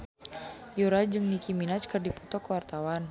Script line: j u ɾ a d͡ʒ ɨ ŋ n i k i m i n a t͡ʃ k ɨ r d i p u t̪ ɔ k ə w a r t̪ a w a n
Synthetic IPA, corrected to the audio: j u ɾ a d͡ʒ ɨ ŋ n i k i m i n a t͡ʃ k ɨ r d i p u t̪ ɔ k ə w a r t̪ a w a n